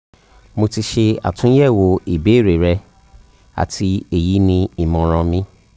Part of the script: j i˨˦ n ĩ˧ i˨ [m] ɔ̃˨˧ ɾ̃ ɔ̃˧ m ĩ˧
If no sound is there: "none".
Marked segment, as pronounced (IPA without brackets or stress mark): m